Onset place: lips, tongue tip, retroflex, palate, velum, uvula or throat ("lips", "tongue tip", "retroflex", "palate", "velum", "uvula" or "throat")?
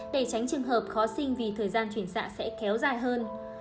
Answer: tongue tip